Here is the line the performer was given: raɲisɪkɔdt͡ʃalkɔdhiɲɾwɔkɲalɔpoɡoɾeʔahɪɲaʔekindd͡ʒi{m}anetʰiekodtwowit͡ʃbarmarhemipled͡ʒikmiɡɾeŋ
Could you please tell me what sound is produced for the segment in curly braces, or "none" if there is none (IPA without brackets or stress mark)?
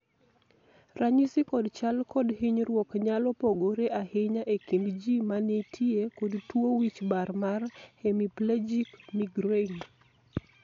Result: m